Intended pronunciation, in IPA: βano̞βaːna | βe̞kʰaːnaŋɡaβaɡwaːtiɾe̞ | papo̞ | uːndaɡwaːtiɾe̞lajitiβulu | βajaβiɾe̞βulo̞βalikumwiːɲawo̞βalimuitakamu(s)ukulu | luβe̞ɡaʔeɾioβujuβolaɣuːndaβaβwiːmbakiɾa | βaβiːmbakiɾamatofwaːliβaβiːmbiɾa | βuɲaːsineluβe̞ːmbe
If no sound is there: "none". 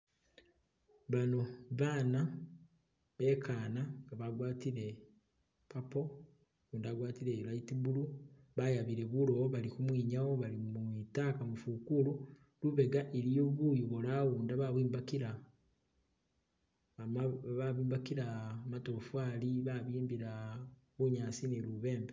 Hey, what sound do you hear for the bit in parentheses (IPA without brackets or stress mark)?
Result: f